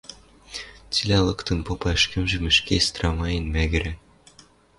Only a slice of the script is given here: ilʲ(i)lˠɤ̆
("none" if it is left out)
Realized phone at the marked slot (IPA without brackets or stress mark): æ